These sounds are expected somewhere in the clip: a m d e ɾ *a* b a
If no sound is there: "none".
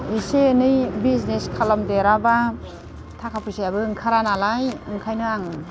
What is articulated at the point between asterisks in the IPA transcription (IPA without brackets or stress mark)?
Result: a